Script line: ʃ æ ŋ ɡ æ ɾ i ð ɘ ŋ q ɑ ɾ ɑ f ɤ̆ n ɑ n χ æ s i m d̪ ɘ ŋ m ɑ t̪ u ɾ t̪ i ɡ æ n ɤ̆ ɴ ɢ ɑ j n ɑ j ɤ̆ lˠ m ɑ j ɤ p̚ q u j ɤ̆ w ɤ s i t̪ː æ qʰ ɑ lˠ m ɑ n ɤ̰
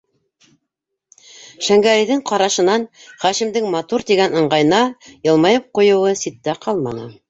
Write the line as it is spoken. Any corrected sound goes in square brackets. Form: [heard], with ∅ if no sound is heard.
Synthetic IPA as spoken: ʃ æ ŋ ɡ æ ɾ i ð ɘ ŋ q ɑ ɾ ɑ [ʃ] ɤ̆ n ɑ n χ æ [ʃ] i m d̪ ɘ ŋ m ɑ t̪ u ɾ t̪ i ɡ æ n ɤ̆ ɴ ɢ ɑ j n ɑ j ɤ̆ lˠ m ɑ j ɤ p̚ q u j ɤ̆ w ɤ s i t̪ː æ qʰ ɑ lˠ m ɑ n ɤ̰